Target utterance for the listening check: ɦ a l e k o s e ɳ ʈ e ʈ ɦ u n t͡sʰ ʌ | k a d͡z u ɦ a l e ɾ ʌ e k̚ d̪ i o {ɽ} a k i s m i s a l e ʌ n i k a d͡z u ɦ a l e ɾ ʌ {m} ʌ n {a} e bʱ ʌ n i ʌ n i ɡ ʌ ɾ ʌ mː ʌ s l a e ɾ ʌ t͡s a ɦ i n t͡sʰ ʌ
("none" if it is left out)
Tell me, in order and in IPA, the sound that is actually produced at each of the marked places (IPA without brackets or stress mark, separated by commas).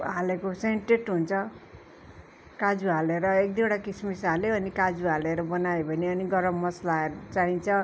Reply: ɽ, b, a